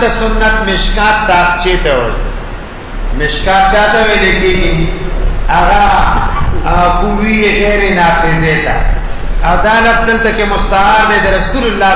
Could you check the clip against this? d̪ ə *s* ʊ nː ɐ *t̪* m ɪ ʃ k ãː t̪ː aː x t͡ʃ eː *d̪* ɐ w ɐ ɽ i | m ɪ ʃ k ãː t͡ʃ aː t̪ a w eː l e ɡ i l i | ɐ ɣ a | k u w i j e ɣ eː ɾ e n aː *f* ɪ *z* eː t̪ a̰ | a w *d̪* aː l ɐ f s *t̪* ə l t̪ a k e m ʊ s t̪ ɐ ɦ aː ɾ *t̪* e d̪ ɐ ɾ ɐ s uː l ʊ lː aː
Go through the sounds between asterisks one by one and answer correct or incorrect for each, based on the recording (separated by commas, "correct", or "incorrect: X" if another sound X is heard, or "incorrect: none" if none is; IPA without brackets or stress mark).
correct, correct, incorrect: t̪, correct, correct, correct, incorrect: d̪, incorrect: d̪